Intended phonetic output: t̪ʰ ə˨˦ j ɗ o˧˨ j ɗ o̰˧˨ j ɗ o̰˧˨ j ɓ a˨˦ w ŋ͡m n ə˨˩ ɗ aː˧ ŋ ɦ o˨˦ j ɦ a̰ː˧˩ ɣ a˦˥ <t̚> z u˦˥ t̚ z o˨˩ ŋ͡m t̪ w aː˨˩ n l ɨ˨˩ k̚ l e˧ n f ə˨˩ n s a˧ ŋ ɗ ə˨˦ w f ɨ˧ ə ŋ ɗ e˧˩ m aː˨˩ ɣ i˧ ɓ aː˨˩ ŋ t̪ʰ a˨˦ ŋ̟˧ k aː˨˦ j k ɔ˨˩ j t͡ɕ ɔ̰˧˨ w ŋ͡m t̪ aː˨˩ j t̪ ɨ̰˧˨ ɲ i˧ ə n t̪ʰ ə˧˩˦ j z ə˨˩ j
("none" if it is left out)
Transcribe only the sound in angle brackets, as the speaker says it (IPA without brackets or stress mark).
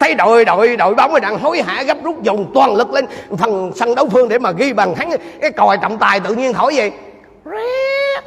p̚